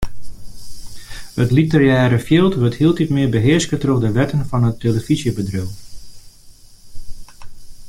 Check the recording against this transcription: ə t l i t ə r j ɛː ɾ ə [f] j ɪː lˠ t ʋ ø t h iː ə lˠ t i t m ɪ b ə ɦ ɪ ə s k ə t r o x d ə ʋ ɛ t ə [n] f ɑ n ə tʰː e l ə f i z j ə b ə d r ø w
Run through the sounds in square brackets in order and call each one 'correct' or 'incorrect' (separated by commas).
correct, correct